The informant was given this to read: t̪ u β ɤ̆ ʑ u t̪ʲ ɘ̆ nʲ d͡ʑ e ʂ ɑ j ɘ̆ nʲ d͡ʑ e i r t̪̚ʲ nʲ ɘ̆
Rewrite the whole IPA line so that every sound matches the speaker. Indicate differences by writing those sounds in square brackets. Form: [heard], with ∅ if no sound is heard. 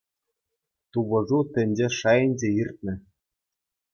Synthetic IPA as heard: t̪ u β ɤ̆ [ʐ] u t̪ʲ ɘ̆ nʲ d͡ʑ e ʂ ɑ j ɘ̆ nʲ d͡ʑ e i r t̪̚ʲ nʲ ɘ̆

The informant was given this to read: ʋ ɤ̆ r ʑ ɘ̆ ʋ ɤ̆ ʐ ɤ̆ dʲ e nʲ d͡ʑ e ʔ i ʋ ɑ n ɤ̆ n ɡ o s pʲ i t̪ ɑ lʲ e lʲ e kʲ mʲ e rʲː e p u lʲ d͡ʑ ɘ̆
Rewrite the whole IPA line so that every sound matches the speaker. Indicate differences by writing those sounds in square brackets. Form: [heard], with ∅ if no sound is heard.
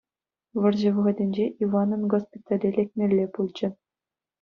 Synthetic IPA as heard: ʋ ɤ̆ r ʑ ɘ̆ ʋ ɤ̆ [ʁ] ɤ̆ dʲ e nʲ d͡ʑ e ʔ i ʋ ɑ n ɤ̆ n ɡ o s pʲ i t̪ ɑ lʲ e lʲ e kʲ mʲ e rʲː e p u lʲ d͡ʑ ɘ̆

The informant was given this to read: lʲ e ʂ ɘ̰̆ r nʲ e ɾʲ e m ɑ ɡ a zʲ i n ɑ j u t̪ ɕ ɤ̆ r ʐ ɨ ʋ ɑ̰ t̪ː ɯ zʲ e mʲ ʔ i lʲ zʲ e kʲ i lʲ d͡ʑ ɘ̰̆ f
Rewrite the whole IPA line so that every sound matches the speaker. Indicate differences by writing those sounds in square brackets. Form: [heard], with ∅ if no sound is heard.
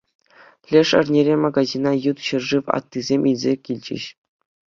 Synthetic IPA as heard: lʲ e ʂ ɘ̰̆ r nʲ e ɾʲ e m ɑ ɡ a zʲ i n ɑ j u t̪ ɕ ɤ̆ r ʐ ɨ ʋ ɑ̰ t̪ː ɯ zʲ e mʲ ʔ i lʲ zʲ e kʲ i lʲ d͡ʑ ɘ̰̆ [ɕ]

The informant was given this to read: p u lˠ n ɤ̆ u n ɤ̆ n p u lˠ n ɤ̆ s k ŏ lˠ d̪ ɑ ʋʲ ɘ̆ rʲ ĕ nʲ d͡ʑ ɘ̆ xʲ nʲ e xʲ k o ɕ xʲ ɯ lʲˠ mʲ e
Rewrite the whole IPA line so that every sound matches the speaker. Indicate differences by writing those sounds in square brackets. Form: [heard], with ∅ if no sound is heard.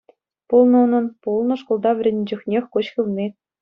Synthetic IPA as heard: p u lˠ n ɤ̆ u n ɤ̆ n p u lˠ n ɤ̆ [ʂ] k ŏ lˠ d̪ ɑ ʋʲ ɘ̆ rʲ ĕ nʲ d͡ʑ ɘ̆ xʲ nʲ e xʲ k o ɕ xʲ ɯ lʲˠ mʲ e

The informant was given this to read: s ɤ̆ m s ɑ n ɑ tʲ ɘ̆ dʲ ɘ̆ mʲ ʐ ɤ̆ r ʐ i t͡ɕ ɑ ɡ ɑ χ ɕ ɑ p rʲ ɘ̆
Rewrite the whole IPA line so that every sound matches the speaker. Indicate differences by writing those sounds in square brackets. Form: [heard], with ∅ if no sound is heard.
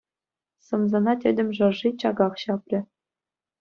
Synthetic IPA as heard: s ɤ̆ m [z] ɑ n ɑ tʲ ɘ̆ dʲ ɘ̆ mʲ ʐ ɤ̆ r ʐ i t͡ɕ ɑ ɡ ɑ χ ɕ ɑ p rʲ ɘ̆

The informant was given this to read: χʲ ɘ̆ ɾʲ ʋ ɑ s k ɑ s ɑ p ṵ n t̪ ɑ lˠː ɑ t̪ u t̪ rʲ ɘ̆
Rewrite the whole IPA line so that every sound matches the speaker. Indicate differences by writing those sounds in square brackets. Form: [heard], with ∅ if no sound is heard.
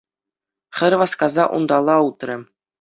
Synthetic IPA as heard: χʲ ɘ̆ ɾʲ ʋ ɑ s k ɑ [z] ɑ [ʔ] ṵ n [d̪] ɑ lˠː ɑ [∅] u t̪ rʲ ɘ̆

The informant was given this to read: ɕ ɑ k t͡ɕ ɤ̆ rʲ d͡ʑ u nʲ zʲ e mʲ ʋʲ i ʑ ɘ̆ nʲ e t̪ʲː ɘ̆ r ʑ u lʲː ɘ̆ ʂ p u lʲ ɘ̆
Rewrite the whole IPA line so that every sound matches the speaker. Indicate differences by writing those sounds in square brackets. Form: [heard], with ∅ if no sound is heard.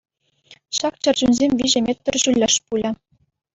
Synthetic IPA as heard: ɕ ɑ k t͡ɕ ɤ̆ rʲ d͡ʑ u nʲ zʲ e mʲ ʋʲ i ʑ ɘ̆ [mʲ] e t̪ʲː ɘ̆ r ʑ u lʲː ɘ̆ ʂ p u lʲ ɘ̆

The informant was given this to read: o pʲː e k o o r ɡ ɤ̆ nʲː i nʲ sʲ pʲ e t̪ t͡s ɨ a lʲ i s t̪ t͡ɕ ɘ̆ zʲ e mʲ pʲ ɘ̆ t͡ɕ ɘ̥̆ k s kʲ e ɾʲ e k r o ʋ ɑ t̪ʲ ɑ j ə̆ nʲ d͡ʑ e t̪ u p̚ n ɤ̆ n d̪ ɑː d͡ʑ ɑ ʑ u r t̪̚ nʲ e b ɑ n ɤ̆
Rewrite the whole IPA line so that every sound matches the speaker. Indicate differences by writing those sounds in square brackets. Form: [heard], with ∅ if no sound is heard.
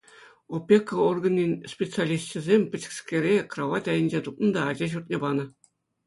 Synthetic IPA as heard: o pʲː e k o o r ɡ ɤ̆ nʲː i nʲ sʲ pʲ e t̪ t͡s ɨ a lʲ i s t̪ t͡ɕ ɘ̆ zʲ e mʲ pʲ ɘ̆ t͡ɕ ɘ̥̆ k s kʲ e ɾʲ e k r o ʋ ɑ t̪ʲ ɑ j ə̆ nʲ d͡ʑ e t̪ u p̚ n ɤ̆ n d̪ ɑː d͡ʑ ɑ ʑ u r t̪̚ nʲ e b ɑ n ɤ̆

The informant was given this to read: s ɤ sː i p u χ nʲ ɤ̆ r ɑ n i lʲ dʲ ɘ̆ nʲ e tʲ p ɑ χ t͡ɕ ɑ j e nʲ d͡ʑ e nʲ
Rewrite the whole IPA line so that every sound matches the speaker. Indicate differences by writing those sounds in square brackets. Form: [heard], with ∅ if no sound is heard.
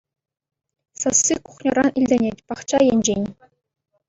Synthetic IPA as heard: s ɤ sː i [k] u χ nʲ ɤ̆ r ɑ n i lʲ dʲ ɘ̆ nʲ e tʲ p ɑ χ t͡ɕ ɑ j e nʲ d͡ʑ e nʲ

